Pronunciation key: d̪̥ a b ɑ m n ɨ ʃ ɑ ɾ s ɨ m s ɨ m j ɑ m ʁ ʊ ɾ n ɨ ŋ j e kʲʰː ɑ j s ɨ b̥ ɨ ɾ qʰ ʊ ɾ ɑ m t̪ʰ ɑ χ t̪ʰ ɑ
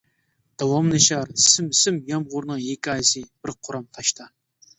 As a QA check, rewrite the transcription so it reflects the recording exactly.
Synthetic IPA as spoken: d̪̥ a w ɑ m n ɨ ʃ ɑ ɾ s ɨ m s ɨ m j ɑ m ʁ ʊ ɾ n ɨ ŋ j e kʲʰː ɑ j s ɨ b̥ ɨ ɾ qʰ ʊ ɾ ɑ m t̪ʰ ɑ ʃ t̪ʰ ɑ